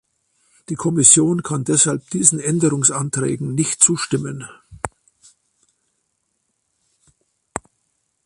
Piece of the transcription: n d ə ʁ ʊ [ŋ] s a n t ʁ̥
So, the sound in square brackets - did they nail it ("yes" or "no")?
yes